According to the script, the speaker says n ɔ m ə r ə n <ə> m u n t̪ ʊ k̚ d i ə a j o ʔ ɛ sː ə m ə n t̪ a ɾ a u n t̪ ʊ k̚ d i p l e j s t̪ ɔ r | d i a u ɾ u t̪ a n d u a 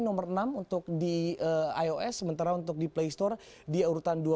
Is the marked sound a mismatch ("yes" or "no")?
yes